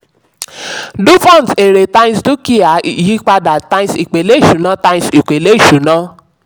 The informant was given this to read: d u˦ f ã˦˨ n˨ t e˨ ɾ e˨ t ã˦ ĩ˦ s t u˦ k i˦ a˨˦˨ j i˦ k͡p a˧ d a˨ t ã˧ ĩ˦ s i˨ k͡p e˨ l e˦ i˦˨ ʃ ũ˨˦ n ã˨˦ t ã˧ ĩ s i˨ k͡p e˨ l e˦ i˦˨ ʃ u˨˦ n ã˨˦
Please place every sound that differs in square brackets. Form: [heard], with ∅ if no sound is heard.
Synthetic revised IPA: d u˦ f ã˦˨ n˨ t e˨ ɾ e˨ t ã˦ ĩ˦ s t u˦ k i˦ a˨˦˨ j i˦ k͡p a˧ d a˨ t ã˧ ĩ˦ s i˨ k͡p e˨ l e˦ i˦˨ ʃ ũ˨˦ n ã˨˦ t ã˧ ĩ s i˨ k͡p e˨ l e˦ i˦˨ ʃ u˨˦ n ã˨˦

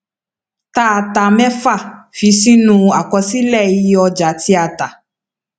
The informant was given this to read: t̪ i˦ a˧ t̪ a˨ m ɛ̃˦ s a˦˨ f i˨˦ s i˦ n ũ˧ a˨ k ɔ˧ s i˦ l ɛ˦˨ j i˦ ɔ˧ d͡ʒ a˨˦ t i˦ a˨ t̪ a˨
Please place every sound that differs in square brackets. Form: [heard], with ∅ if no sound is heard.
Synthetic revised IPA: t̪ [a˦] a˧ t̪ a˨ m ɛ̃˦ [f] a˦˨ f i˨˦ s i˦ n ũ˧ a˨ k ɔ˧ s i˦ l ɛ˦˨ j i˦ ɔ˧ d͡ʒ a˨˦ t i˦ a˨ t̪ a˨

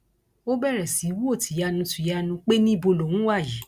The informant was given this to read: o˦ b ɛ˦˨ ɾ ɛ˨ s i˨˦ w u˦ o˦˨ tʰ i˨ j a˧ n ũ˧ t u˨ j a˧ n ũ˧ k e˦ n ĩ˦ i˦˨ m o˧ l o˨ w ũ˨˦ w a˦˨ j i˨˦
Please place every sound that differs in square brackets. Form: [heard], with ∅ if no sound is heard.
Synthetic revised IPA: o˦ b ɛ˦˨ ɾ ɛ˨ s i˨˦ w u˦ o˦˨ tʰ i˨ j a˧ n ũ˧ t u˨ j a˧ n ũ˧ [k͡p] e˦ n ĩ˦ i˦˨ [b] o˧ l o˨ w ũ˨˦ w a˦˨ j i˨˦

